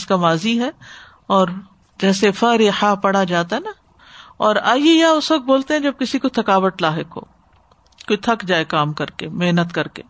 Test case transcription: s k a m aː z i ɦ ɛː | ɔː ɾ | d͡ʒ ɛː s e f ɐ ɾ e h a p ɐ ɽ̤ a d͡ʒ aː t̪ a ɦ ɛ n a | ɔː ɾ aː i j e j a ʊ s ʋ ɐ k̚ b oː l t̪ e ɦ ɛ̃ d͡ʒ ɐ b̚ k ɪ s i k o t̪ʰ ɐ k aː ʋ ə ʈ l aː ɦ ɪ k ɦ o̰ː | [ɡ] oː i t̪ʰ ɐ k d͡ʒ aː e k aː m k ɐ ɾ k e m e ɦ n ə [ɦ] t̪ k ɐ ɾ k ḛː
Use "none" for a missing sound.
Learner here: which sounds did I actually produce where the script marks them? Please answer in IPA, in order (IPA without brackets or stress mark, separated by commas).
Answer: k, none